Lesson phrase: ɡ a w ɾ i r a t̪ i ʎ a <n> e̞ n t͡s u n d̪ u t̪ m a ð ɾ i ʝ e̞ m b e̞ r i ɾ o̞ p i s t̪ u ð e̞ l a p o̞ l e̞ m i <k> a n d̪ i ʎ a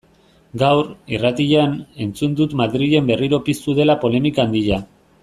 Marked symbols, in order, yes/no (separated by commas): yes, yes